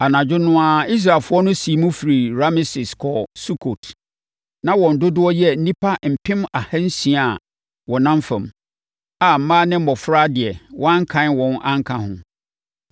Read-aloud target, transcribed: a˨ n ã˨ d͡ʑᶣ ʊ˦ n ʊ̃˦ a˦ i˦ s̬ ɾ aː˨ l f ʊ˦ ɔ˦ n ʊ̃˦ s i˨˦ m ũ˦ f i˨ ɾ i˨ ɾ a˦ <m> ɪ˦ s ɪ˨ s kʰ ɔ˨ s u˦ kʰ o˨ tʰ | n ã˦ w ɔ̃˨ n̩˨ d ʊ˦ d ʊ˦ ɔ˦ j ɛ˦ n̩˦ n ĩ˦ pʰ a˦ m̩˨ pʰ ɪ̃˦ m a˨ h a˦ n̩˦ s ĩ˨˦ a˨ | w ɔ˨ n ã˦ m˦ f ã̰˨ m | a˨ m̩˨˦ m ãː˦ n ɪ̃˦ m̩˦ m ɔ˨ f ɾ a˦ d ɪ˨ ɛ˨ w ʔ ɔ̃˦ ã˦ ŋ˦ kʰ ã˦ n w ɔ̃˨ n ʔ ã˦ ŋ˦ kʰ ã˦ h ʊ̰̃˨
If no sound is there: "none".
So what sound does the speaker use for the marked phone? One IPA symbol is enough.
m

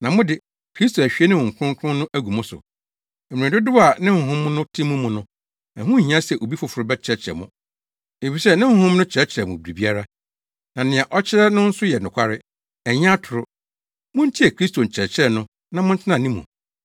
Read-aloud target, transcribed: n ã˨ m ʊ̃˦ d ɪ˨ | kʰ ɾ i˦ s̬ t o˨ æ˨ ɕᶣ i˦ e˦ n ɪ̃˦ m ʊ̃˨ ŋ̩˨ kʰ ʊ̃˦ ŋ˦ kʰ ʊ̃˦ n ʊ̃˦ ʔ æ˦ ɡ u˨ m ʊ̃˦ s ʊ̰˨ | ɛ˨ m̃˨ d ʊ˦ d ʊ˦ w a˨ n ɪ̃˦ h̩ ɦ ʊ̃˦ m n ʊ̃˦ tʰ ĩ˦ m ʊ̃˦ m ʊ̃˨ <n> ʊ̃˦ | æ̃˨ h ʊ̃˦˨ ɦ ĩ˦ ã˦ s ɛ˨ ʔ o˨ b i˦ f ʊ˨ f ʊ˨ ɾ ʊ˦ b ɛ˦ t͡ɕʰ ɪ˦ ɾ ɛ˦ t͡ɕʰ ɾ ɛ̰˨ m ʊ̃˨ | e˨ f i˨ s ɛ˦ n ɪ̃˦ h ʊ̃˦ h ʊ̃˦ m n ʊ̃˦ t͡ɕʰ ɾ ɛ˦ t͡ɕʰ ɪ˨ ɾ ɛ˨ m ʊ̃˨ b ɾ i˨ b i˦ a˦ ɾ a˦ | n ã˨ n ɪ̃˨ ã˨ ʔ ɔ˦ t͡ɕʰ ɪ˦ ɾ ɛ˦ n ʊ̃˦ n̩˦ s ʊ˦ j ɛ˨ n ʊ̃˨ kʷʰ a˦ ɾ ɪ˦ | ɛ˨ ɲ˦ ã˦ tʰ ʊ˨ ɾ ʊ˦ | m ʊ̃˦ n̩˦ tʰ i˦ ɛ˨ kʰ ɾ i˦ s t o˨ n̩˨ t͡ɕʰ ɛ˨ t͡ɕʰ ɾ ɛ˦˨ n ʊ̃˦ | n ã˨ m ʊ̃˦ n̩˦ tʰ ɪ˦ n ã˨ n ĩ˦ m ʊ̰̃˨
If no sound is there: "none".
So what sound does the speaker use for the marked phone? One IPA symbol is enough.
n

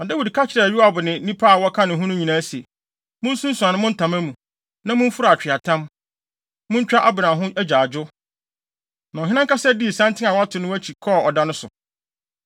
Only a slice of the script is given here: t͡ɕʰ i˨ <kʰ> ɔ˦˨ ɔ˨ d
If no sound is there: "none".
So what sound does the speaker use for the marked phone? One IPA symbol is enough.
kʰ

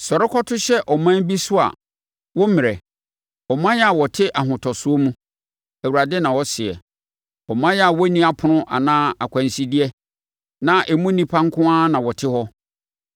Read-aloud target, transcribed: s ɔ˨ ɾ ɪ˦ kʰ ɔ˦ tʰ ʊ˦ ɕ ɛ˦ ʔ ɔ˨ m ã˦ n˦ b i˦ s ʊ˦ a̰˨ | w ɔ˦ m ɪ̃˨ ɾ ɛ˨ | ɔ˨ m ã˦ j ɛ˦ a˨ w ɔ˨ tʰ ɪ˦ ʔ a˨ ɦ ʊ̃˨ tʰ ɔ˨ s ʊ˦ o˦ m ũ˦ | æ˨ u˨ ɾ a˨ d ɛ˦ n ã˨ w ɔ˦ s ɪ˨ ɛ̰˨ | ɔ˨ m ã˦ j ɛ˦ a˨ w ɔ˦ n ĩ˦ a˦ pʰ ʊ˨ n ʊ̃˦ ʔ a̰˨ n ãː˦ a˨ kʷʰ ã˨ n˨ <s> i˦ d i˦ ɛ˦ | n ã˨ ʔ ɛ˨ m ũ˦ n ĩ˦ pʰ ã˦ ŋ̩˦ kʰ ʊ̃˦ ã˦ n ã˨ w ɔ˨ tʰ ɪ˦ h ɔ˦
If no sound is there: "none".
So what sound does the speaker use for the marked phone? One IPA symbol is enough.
s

